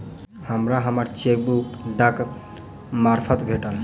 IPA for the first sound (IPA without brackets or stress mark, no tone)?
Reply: h